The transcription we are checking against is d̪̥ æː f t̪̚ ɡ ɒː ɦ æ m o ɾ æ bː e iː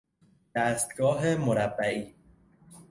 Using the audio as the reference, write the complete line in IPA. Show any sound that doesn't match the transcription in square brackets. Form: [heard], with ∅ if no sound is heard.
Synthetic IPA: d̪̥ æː [s] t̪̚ ɡ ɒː ɦ [e] m o ɾ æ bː [æ] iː